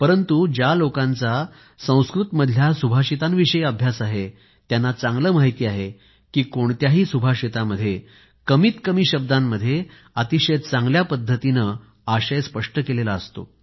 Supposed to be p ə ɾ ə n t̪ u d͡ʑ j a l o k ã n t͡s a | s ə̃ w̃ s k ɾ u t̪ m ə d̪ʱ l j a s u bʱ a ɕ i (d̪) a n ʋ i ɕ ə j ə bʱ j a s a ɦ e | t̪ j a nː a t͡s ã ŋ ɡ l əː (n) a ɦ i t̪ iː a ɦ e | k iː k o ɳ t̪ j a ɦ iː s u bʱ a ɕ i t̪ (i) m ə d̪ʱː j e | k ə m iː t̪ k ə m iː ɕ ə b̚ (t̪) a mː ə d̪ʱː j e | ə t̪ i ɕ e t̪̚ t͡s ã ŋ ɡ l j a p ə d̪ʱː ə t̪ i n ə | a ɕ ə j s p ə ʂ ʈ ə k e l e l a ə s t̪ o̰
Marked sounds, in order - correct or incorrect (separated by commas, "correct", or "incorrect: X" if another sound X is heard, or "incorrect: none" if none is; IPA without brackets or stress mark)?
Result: incorrect: t̪, incorrect: m, incorrect: a, incorrect: d̪